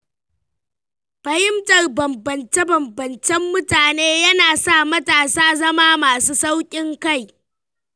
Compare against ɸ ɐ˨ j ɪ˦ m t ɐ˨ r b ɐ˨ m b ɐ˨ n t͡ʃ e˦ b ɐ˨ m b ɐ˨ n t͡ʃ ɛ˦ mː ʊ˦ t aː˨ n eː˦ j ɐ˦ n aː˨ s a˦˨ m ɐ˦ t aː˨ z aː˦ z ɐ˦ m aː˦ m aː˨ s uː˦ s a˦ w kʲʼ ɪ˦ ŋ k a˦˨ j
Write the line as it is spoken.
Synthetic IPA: ɸ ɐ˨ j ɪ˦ m t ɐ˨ r b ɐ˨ m b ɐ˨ n t͡ʃ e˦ b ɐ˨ m b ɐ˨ n t͡ʃ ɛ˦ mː ʊ˦ t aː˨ n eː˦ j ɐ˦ n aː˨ s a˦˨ m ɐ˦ t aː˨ s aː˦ z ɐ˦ m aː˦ m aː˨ s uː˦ s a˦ w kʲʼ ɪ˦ ŋ k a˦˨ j

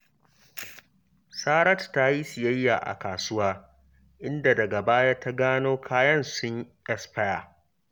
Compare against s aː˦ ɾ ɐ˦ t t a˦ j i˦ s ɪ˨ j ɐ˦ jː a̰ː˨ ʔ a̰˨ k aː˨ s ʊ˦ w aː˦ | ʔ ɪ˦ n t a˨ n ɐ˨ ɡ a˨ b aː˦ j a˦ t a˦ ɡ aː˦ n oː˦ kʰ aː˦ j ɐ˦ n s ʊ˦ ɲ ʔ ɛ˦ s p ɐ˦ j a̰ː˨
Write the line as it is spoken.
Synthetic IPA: s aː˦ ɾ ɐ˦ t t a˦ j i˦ s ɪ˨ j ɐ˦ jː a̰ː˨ ʔ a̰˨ k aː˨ s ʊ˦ w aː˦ | ʔ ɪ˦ n d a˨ d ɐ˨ ɡ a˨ b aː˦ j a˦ t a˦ ɡ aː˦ n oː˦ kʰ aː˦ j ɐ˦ n s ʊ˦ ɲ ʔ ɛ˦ s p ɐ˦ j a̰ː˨

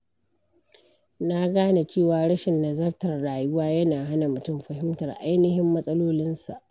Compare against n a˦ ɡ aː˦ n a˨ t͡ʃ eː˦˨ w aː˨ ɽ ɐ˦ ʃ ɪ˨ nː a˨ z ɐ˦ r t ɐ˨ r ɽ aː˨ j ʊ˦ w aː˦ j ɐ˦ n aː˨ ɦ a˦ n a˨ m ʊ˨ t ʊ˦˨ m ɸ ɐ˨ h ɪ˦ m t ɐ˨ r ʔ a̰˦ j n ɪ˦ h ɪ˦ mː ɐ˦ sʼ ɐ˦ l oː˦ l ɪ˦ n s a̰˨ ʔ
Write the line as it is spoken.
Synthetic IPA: n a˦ ɡ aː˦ n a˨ t͡ʃ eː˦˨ w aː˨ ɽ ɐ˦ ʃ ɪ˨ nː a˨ z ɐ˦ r t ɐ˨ r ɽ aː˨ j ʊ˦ w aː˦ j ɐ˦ n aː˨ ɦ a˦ n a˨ m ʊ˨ t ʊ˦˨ m ɸ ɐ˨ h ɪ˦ m t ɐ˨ r ʔ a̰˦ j n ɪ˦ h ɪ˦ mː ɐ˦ sʼ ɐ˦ l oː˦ l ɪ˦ n s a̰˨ ʔ

